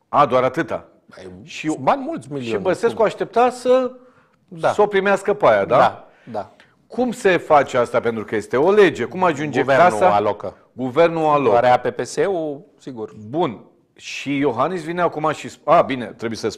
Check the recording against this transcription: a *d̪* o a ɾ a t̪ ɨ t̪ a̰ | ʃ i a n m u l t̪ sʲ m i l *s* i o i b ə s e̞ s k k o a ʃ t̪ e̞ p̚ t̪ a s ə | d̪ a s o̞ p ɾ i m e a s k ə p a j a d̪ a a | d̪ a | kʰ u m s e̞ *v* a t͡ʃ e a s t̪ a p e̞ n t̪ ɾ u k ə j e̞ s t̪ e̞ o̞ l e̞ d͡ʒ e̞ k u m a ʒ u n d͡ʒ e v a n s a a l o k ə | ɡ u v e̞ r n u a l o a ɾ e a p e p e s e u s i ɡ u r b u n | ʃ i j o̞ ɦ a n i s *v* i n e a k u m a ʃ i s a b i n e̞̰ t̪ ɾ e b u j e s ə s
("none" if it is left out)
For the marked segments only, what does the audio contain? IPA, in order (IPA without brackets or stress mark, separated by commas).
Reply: d̪, ʃ, f, v